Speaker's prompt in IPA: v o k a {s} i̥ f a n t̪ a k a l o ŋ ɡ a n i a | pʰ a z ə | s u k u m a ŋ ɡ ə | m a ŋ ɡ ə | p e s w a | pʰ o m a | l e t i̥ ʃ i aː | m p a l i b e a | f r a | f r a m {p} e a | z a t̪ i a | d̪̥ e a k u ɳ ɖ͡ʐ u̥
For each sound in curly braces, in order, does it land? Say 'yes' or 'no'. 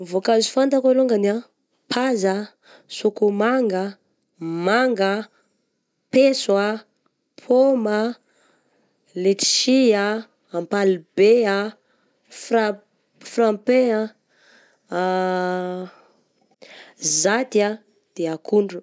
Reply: no, yes

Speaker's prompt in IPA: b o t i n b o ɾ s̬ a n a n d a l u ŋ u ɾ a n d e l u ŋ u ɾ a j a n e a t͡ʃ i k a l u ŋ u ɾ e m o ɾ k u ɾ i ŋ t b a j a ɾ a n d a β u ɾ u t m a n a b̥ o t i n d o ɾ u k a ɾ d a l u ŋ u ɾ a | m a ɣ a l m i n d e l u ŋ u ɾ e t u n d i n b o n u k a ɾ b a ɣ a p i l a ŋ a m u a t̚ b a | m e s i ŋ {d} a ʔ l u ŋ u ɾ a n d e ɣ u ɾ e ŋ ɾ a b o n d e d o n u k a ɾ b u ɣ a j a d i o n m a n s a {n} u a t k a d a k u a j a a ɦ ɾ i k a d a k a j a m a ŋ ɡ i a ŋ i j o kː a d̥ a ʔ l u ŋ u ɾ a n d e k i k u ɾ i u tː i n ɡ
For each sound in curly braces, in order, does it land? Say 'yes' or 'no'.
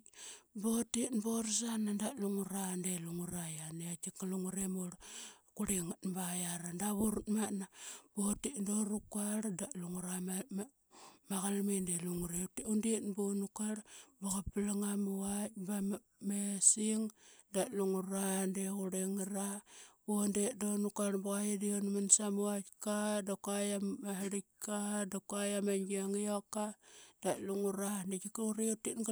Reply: yes, no

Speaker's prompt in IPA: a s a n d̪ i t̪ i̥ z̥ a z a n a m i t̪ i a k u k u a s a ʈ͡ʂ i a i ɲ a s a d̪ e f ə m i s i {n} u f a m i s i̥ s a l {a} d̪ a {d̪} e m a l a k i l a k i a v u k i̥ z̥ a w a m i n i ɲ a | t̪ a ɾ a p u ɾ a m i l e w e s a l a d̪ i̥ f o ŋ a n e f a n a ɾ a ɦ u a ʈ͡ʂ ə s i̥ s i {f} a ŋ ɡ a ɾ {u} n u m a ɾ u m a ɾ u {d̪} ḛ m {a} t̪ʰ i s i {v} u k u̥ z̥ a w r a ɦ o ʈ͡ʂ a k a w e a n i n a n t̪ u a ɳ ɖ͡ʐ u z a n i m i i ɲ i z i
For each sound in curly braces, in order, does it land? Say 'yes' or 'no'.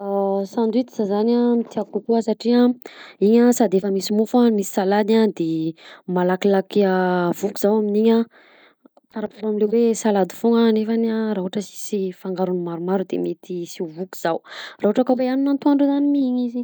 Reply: no, yes, yes, yes, yes, yes, no, yes

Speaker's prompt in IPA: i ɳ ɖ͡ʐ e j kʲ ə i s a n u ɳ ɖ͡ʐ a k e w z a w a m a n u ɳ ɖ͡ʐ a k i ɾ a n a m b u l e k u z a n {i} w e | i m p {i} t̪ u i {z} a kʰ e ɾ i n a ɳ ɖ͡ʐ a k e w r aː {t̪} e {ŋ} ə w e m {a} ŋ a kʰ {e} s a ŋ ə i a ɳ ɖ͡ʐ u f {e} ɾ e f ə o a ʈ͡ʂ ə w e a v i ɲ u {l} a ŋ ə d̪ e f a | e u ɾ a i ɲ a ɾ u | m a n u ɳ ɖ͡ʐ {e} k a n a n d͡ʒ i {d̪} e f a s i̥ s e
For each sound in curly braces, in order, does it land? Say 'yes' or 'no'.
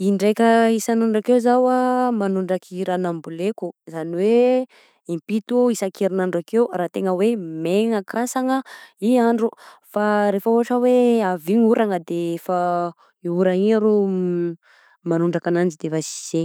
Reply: yes, yes, no, yes, yes, no, no, no, no, no, yes

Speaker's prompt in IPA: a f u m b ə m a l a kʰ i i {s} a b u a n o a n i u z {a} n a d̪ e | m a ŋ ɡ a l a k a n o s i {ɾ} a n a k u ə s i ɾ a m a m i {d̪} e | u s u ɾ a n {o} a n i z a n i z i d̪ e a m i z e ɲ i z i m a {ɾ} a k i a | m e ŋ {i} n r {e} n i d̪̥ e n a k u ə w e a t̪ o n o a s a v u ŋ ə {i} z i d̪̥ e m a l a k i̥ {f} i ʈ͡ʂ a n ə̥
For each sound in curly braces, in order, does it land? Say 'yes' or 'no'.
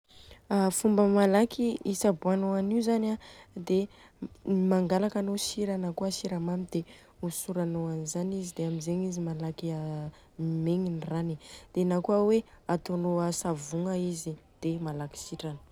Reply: yes, yes, yes, yes, yes, no, yes, no, yes, no

